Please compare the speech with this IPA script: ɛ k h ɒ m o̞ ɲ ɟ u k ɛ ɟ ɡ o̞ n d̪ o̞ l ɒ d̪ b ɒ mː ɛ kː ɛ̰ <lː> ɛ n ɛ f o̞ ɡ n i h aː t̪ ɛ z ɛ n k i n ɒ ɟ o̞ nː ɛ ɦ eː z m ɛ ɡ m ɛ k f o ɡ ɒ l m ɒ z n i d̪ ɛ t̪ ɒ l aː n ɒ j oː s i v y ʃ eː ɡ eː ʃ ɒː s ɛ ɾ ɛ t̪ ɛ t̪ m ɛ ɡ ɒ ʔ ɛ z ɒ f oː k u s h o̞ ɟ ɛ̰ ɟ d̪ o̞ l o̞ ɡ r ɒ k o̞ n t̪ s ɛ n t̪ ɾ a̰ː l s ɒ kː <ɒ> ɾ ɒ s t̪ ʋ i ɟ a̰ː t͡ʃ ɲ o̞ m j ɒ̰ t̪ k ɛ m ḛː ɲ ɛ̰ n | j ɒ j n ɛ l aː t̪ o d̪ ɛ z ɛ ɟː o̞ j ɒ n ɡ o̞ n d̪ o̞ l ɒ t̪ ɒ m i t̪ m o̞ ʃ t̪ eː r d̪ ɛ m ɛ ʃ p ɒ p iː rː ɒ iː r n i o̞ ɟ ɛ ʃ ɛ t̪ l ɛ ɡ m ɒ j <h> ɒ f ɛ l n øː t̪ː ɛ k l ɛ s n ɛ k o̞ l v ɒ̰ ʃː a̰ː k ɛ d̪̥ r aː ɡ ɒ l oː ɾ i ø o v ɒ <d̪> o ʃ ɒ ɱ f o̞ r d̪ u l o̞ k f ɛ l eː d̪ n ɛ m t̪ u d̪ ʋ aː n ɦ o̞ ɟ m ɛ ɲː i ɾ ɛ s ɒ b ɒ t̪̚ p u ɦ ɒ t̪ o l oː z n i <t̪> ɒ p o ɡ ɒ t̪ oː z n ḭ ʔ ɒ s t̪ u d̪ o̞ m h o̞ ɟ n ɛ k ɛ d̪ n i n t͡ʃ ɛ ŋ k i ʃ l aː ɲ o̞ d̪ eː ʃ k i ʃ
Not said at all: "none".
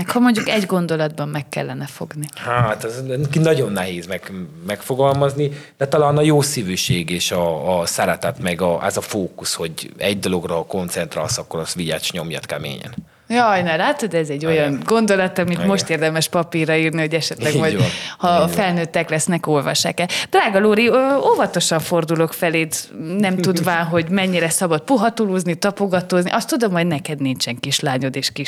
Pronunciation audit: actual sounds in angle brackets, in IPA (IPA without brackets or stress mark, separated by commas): lː, o, h, t̪, t̪